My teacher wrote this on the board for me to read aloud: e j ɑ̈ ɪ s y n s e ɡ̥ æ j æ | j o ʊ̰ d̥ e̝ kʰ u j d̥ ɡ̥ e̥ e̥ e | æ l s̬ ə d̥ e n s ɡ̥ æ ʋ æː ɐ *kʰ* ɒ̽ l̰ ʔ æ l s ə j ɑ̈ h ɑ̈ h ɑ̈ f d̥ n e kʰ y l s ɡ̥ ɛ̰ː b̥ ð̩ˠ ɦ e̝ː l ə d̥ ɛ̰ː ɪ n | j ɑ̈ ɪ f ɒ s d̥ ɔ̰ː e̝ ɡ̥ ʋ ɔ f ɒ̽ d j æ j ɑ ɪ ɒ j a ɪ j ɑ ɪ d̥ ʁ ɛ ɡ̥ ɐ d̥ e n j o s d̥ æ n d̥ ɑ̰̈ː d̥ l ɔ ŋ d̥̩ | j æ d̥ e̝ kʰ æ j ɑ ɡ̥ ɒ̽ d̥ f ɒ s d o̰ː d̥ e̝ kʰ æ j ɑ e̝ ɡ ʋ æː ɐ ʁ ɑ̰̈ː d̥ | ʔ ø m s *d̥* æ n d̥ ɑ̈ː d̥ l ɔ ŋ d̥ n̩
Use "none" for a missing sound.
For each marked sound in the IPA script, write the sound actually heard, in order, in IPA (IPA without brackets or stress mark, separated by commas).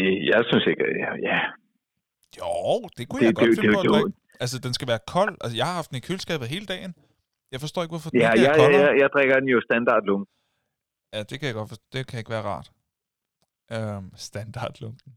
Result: kʰ, d̥